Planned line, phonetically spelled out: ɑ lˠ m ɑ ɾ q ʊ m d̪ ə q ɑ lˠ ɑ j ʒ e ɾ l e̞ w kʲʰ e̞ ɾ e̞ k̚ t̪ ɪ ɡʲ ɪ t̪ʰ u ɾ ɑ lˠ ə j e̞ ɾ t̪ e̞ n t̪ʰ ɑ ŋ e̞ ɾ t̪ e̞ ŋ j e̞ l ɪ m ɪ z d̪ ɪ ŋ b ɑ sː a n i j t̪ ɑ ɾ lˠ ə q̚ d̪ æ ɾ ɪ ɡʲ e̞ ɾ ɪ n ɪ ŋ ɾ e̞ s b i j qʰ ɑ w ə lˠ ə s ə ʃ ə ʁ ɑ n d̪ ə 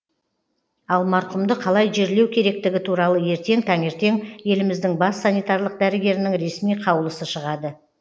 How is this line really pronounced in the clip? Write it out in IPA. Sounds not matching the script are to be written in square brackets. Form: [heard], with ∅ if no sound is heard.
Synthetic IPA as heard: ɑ lˠ m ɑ ɾ q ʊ m d̪ ə [qʰ] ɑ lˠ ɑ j ʒ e ɾ l e̞ w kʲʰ e̞ ɾ e̞ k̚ t̪ ɪ ɡʲ ɪ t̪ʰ u ɾ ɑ lˠ ə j e̞ ɾ t̪ e̞ [ŋ] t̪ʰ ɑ ŋ e̞ ɾ t̪ e̞ ŋ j e̞ l ɪ m ɪ z d̪ ɪ ŋ b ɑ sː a n i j t̪ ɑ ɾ lˠ ə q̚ d̪ æ ɾ ɪ ɡʲ e̞ ɾ ɪ n ɪ ŋ ɾ e̞ s [m] i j qʰ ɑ w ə lˠ ə s ə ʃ ə ʁ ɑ [∅] d̪ ə